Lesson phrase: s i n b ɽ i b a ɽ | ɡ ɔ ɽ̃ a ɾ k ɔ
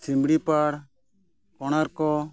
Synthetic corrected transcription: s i m b ɽ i p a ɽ | k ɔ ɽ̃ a ɾ k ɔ